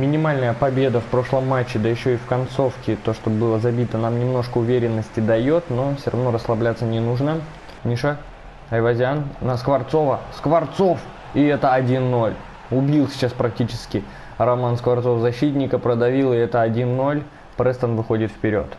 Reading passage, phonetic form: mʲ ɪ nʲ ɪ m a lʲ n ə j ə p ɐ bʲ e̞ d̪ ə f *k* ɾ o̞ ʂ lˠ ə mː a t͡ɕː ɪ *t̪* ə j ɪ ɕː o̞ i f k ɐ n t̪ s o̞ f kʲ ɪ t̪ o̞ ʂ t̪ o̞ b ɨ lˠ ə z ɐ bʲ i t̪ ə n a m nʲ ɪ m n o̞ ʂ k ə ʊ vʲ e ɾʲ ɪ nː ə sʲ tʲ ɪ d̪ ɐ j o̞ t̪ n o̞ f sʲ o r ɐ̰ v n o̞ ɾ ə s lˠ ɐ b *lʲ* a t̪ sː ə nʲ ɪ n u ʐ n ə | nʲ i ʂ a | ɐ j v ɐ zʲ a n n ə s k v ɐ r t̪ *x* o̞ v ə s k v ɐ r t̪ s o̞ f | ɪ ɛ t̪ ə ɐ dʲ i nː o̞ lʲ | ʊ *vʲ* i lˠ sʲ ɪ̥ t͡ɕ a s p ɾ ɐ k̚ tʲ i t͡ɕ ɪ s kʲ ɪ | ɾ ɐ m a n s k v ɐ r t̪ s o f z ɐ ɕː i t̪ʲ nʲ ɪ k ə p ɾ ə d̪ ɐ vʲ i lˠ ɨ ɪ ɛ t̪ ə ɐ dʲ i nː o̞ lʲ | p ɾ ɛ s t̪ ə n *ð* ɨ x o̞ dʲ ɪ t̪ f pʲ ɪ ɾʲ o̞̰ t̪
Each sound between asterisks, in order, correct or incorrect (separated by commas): incorrect, incorrect, correct, incorrect, incorrect, incorrect